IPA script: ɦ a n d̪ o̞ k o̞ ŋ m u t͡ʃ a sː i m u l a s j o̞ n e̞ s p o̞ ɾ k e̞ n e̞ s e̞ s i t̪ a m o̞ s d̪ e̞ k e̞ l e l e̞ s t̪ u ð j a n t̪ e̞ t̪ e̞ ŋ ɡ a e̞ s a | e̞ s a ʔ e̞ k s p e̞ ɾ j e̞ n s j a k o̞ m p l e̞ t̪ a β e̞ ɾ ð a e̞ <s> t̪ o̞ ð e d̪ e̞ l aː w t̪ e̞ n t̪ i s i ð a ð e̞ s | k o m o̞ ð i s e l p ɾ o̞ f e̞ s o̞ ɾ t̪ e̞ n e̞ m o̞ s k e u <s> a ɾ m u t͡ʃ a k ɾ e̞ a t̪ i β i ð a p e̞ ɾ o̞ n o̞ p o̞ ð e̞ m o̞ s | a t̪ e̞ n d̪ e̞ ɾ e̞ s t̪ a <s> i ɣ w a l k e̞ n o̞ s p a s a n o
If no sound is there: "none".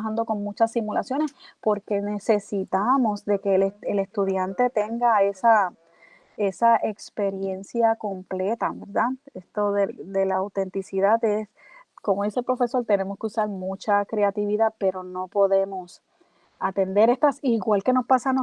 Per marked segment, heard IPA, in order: s, s, s

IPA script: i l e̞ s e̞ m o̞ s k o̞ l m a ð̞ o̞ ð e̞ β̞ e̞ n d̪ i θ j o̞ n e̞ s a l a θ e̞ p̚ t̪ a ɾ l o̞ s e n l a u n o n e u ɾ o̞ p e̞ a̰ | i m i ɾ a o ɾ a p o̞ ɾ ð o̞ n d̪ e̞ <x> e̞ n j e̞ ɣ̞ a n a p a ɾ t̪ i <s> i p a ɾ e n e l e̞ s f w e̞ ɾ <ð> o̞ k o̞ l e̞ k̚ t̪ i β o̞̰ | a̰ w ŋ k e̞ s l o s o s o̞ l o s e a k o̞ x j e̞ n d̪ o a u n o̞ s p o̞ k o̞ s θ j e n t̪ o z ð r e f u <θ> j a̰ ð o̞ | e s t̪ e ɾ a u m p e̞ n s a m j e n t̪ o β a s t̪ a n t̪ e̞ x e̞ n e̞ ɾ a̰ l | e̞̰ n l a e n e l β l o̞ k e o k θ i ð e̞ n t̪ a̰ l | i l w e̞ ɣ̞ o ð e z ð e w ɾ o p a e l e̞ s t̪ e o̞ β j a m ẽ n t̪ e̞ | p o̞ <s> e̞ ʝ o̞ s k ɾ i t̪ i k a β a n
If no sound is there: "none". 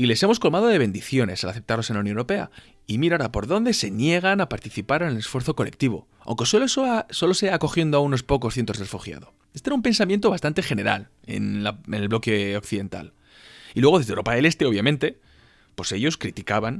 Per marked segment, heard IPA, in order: s, θ, θ, x, s

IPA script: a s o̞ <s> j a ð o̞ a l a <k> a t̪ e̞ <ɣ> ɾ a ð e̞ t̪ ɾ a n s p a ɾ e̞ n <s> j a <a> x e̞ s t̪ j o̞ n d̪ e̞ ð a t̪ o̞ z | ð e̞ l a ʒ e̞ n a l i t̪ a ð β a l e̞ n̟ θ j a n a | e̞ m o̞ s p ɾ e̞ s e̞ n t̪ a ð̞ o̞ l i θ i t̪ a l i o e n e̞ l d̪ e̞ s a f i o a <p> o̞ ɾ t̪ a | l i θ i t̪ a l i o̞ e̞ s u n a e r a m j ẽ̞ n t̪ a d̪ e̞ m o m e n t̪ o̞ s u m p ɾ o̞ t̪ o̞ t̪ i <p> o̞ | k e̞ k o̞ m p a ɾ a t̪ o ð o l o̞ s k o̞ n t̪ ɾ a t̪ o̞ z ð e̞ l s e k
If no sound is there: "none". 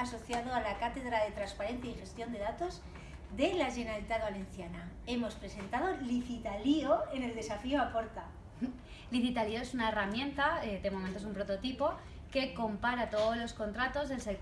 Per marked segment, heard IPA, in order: θ, k, ð, θ, i, p, p

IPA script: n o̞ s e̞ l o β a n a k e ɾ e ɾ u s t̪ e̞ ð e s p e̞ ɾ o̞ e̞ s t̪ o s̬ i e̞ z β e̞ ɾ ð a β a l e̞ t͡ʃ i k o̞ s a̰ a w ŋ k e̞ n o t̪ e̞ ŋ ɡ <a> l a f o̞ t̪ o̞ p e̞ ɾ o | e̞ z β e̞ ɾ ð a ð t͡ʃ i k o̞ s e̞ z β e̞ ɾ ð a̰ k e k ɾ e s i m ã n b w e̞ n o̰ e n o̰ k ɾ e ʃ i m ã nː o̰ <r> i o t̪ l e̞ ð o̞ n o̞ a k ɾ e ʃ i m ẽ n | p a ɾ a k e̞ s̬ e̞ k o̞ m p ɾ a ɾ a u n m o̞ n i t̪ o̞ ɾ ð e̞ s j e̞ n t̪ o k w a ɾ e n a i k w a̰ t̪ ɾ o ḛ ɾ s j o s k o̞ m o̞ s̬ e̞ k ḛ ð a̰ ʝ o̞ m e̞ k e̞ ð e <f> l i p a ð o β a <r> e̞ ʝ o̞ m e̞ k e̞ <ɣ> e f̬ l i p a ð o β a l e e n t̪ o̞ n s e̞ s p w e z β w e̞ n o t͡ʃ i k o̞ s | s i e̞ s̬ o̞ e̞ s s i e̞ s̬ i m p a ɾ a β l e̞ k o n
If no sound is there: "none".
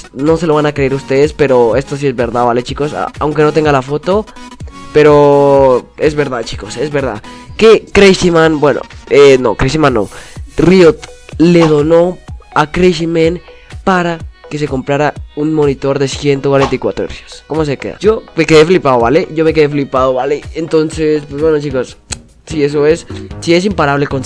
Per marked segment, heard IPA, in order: a, r, f, l, ð

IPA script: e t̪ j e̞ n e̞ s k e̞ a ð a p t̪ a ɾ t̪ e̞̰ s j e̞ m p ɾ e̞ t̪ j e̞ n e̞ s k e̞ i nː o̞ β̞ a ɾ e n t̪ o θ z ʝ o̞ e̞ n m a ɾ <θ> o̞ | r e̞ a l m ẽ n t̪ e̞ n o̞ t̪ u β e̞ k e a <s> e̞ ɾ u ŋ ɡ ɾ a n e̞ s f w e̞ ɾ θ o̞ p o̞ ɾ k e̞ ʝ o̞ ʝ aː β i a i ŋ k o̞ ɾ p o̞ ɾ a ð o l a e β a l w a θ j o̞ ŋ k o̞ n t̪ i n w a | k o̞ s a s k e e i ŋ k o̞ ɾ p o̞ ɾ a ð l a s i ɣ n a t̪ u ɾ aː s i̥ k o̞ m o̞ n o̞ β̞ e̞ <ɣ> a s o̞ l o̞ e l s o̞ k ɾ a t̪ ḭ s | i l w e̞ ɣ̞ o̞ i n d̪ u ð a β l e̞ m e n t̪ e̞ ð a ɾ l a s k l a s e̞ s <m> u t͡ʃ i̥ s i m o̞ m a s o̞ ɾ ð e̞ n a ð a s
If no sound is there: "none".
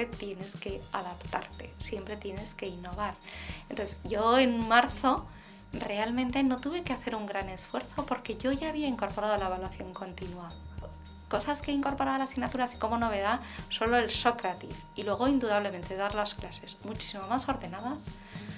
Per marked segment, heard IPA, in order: θ, θ, ð, m

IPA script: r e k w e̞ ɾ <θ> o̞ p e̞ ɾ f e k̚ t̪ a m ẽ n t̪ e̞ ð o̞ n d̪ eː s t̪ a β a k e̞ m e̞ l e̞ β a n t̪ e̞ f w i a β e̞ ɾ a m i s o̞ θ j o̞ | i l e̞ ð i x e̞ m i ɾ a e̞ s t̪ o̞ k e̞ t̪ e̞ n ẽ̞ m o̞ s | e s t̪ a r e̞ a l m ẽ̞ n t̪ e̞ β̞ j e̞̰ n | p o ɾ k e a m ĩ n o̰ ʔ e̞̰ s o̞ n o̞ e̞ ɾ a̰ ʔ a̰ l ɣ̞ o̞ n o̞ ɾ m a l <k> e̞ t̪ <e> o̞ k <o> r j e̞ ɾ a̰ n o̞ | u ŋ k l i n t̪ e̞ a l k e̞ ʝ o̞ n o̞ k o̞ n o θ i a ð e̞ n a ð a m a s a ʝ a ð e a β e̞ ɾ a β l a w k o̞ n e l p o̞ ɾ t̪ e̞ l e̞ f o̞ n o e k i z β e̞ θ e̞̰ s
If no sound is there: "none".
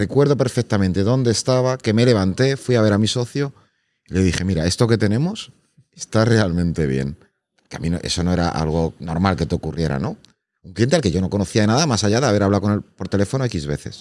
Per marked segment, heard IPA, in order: ð, k, e, u

